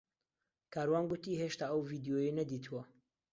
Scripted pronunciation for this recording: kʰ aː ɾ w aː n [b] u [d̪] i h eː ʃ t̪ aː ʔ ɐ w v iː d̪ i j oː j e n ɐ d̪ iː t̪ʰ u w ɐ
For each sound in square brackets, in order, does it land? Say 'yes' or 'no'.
no, no

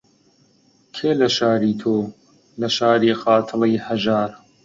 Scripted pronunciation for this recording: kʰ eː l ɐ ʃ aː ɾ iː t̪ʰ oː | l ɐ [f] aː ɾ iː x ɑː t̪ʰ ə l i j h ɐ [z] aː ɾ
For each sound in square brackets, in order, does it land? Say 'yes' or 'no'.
no, no

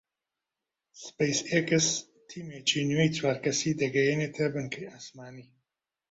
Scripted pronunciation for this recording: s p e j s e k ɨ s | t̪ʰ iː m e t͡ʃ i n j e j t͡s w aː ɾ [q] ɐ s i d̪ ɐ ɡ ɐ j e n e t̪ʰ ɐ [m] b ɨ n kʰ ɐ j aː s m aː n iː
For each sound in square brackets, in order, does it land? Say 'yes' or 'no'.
no, no

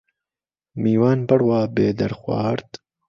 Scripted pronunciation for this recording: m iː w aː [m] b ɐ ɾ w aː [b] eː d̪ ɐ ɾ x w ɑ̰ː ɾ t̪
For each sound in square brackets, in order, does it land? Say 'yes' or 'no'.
no, yes

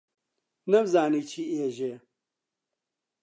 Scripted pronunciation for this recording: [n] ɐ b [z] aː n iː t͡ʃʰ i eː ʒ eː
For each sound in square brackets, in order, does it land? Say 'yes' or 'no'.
yes, yes

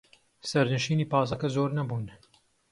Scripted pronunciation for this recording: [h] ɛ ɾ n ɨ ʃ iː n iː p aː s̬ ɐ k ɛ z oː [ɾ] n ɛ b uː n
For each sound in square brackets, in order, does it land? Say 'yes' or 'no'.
no, yes

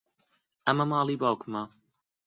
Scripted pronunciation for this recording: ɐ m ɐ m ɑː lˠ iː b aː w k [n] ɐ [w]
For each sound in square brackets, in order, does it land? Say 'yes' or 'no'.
no, no

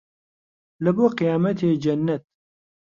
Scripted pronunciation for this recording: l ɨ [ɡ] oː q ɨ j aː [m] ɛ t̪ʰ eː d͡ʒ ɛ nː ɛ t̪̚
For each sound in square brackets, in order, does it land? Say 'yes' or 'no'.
no, yes

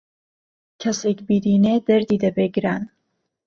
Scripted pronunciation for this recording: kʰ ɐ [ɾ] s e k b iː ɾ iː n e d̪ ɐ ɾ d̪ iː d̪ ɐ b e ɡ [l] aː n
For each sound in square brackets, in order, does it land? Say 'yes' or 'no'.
no, no

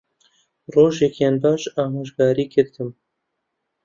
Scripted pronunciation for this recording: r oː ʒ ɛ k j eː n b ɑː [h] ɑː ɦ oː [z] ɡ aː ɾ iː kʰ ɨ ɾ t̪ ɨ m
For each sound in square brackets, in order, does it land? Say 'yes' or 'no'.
no, no

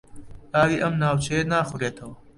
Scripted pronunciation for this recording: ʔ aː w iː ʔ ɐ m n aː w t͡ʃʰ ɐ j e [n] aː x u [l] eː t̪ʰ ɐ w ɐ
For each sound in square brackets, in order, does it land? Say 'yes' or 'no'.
yes, no

